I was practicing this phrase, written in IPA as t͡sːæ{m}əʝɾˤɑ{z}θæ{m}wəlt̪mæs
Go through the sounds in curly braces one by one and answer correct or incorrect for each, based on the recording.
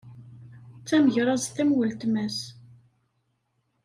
correct, correct, correct

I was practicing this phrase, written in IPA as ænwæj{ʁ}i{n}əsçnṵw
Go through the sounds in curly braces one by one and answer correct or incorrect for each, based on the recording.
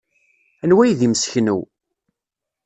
incorrect: ð, incorrect: m

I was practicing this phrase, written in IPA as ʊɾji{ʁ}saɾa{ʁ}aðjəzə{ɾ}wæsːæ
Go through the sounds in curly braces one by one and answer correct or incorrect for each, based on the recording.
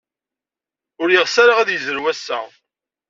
correct, correct, correct

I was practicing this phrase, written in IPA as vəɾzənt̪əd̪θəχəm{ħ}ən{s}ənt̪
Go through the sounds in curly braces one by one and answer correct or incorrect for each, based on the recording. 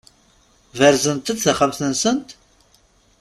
incorrect: θ, correct

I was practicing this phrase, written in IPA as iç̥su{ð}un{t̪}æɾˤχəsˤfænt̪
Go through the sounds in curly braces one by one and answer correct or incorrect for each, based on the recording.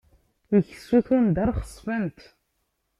incorrect: θ, incorrect: d̪

